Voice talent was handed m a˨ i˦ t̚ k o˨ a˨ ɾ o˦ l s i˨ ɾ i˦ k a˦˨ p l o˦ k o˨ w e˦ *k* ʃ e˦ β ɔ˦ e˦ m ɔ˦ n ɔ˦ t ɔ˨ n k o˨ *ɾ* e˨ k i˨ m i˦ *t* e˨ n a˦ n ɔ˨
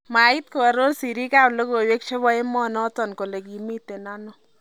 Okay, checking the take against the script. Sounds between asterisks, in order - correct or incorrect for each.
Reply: correct, incorrect: l, correct

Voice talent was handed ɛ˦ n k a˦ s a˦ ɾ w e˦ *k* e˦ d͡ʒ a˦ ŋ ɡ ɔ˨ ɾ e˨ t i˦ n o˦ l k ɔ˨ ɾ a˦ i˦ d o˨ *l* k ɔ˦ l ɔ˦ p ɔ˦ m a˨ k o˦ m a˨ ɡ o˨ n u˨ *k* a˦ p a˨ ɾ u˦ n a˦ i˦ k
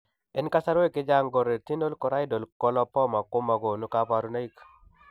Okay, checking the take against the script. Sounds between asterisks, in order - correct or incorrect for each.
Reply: correct, correct, correct

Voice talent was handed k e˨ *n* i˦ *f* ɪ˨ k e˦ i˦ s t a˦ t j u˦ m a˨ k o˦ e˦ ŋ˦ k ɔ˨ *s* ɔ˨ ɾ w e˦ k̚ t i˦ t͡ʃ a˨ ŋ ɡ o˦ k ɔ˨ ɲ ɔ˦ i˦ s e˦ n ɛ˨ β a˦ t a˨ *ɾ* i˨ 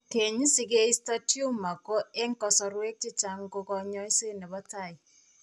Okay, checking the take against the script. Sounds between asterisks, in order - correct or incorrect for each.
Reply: incorrect: ɲ, incorrect: s, correct, incorrect: none

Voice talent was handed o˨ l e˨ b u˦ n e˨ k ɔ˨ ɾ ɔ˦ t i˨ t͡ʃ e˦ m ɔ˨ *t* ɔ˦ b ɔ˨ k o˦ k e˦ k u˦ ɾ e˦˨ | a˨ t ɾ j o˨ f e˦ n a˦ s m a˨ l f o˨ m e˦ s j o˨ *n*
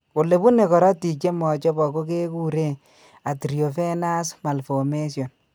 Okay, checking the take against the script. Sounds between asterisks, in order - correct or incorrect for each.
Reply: incorrect: t͡ʃ, correct

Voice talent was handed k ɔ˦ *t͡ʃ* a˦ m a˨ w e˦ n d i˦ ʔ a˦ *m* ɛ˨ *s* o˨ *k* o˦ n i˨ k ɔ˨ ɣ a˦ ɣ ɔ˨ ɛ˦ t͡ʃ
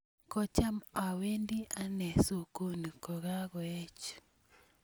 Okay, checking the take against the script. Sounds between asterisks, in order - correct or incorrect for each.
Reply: correct, incorrect: n, correct, correct

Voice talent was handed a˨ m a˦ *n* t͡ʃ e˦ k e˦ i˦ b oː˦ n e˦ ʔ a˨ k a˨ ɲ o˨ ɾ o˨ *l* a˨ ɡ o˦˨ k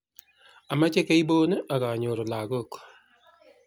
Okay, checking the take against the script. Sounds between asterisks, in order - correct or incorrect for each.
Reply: incorrect: none, correct

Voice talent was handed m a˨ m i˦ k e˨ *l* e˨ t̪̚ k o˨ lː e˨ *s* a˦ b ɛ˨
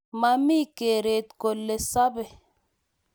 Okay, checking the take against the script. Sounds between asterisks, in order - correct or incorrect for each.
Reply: incorrect: ɾ, correct

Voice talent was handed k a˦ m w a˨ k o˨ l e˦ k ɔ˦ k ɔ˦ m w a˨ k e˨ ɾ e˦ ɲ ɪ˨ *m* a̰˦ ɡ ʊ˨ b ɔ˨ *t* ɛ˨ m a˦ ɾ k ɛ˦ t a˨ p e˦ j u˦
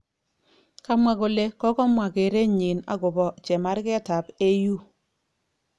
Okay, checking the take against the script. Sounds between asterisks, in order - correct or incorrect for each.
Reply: incorrect: n, incorrect: t͡ʃ

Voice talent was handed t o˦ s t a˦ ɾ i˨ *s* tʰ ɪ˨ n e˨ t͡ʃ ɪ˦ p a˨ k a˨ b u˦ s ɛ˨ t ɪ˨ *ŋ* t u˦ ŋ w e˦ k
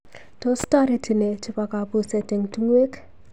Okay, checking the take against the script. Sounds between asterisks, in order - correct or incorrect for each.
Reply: incorrect: none, correct

